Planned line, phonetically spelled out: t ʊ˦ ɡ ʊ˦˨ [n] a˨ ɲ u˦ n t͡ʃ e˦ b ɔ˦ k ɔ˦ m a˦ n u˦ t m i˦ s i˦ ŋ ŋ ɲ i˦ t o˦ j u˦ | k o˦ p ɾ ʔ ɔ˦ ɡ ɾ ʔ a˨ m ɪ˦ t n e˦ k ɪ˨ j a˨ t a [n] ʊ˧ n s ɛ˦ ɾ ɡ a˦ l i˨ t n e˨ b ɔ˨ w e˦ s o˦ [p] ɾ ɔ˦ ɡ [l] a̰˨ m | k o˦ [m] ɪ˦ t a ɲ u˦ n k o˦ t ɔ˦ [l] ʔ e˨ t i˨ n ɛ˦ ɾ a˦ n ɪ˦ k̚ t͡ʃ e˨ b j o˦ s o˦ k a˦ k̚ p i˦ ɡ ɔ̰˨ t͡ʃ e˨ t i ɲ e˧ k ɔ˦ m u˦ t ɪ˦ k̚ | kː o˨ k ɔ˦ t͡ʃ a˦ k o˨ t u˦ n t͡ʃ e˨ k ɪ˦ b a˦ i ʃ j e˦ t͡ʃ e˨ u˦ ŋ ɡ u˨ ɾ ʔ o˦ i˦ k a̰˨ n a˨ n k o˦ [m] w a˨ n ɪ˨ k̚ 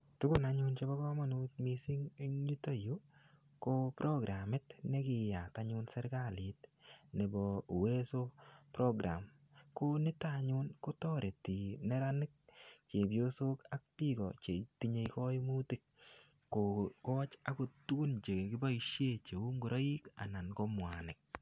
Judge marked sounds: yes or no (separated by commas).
yes, no, yes, no, no, no, yes